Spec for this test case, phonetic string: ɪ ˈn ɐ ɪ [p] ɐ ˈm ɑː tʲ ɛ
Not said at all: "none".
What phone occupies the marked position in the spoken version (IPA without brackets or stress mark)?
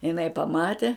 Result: p